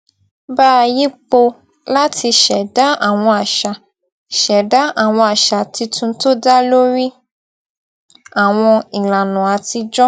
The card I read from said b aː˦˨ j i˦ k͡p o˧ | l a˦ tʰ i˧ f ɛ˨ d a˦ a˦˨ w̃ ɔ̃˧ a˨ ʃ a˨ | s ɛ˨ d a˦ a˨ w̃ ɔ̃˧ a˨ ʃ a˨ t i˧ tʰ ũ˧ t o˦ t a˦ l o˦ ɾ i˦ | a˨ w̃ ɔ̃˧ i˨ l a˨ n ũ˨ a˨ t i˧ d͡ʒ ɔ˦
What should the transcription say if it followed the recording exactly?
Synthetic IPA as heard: b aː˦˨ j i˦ k͡p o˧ | l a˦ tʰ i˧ ʃ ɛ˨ d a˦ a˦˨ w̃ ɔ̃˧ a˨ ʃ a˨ | ʃ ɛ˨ d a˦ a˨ w̃ ɔ̃˧ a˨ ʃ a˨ t i˧ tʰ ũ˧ t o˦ d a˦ l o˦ ɾ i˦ | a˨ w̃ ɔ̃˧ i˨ l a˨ n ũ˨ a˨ t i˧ d͡ʒ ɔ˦